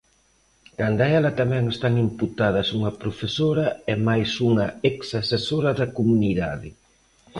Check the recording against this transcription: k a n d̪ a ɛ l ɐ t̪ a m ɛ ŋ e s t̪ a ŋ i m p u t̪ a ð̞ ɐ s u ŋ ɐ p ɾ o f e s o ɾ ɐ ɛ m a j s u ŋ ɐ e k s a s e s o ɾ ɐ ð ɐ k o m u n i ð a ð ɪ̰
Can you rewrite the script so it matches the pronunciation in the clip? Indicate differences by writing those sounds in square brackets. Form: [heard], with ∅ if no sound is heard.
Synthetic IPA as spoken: k a n d̪ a ɛ l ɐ t̪ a m ɛ ŋ e s t̪ a ŋ i m p u t̪ a ð̞ ɐ s u ŋ ɐ p ɾ o f e s o ɾ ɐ ɛ m a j s u ŋ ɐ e k s a s e s o ɾ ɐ ð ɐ k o m u n i ð a ð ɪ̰

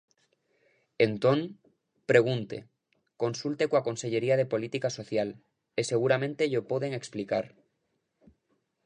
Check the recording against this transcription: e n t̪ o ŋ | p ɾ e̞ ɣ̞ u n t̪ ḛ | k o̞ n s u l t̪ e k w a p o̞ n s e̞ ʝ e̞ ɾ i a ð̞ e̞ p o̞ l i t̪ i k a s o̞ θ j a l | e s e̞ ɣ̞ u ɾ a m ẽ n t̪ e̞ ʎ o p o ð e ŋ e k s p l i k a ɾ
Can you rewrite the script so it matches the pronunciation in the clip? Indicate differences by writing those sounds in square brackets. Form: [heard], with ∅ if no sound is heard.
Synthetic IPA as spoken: e n t̪ o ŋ | p ɾ e̞ ɣ̞ u n t̪ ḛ | k o̞ n s u l t̪ e k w a [k] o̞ n s e̞ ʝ e̞ ɾ i a ð̞ e̞ p o̞ l i t̪ i k a s o̞ θ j a l | e s e̞ ɣ̞ u ɾ a m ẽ n t̪ e̞ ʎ o p o ð e ŋ e k s p l i k a ɾ

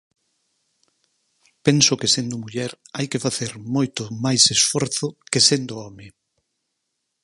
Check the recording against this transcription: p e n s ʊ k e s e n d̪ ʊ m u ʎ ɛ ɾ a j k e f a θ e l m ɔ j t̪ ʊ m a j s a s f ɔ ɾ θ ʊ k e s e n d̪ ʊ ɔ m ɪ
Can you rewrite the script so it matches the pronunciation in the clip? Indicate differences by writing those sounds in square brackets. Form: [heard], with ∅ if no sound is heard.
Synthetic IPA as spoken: p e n s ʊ k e s e n d̪ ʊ m u ʎ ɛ ɾ a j k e f a θ e [ɾ] m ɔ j t̪ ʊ m a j s [e] s f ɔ ɾ θ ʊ k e s e n d̪ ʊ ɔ m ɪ

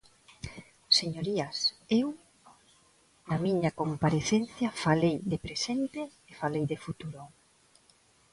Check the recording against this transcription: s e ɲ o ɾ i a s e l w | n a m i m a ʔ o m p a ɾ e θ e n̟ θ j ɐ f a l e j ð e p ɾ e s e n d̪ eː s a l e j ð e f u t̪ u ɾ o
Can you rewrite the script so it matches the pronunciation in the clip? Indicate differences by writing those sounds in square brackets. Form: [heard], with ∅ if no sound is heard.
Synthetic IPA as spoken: s e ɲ o ɾ i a s e [∅] w | n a m i [ɲ] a [k] o m p a ɾ e θ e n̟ θ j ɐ f a l e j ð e p ɾ e s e n [t̪] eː [f] a l e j ð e f u t̪ u ɾ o

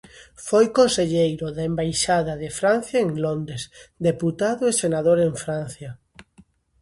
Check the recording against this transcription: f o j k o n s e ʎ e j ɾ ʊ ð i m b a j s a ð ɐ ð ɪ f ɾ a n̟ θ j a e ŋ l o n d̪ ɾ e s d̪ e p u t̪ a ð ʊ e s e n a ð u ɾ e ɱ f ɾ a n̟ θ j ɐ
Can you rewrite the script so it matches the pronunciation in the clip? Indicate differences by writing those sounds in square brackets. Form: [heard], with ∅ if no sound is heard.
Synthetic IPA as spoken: f o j k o n s e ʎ e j ɾ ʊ ð [e] m b a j [ʃ] a ð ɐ ð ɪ f ɾ a n̟ θ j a e ŋ l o n d̪ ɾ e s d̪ e p u t̪ a ð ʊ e s e n a ð [o] ɾ e ɱ f ɾ a n̟ θ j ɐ

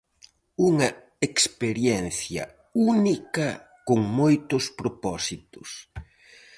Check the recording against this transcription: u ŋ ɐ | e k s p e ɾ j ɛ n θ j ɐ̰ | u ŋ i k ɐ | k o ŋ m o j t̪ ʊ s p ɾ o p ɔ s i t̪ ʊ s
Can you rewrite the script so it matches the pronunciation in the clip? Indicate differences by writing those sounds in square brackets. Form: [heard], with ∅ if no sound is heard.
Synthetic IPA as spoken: u ŋ ɐ | e k s p e ɾ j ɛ n θ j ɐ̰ | u [n] i k ɐ | k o ŋ m o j t̪ ʊ s p ɾ o p ɔ s i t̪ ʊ s

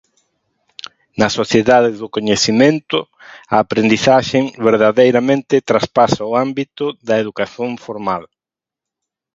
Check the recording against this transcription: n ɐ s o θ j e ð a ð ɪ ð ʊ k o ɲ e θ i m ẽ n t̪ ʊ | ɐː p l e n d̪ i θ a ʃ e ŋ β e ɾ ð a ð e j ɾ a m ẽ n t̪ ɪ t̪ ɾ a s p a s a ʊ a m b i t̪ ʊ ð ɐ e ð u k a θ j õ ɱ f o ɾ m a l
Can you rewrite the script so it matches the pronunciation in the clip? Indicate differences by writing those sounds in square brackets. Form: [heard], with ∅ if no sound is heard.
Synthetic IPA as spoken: n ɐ s o θ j e ð a ð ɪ ð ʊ k o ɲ e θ i m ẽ n t̪ ʊ | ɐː p [ɾ] e n d̪ i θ a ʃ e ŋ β e ɾ ð a ð e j ɾ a m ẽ n t̪ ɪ t̪ ɾ a s p a s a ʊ a m b i t̪ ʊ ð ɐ e ð u k a θ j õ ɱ f o ɾ m a l

